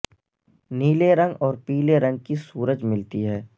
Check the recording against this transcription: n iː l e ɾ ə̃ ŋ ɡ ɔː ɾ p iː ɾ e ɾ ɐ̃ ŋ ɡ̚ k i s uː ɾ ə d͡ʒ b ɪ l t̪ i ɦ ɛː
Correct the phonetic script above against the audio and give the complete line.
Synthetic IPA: n iː l e ɾ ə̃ ŋ ɡ ɔː ɾ p iː l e ɾ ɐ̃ ŋ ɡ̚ k i s uː ɾ ə d͡ʒ m ɪ l t̪ i ɦ ɛː

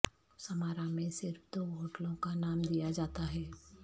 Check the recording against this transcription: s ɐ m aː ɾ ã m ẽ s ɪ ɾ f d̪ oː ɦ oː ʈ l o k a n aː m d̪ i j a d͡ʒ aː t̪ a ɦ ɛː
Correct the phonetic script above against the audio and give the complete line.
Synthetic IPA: s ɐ m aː ɾ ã m ẽ s ɪ ɾ f d̪ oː ɦ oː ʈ l õ k a n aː m d̪ i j a d͡ʒ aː t̪ a ɦ ɛː

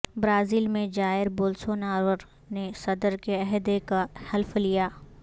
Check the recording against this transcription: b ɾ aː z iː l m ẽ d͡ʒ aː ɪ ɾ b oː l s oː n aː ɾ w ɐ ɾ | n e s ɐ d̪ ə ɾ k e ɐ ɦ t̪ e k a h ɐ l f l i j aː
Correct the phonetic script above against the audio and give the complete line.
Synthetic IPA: b ɾ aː z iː l m ẽ d͡ʒ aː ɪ ɾ b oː l s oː n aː ɾ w ə ɾ | n e s ɐ d̪ ə ɾ k e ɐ ɦ d̪ e k a h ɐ l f l i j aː

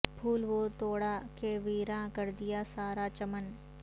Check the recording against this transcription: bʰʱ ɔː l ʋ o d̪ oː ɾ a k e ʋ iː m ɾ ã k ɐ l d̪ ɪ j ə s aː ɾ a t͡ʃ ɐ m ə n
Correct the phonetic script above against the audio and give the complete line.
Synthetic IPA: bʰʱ uː l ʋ o t̪ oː ɽ a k e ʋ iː ɾ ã k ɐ ɾ d̪ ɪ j a s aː ɾ a t͡ʃ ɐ m ə n

